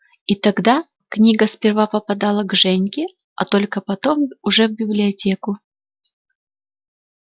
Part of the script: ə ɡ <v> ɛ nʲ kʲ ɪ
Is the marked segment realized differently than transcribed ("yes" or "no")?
yes